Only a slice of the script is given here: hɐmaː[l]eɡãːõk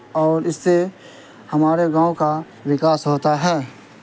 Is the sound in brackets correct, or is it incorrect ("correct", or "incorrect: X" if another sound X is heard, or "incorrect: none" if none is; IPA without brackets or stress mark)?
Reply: incorrect: ɾ